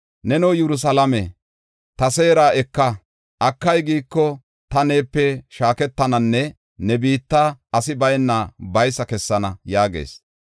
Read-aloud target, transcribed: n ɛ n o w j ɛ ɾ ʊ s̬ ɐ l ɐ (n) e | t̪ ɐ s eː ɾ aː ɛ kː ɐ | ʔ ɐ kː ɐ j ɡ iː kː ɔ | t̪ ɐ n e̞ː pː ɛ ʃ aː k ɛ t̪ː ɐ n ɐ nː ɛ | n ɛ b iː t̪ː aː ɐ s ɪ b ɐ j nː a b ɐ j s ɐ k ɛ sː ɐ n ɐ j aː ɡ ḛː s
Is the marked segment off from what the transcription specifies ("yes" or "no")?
yes